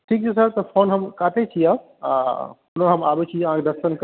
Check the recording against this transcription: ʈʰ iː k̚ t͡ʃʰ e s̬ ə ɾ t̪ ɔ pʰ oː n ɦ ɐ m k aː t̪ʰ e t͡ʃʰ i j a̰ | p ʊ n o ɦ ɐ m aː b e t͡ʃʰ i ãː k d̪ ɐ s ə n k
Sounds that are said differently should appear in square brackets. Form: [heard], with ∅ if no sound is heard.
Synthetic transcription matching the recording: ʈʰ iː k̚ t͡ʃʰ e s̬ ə ɾ t̪ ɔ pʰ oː n ɦ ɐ m k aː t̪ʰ e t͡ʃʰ i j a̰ | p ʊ n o ɦ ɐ m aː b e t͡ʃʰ i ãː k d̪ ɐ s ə n k